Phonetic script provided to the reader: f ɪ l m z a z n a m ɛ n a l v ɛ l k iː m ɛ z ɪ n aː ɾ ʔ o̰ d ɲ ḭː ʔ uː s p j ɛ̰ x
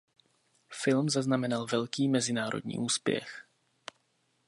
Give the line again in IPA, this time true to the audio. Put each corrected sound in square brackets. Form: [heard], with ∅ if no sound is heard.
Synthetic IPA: f ɪ l m z a z n a m ɛ n a l v ɛ l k iː m ɛ z ɪ n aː ɾ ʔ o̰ d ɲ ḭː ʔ uː s p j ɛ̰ x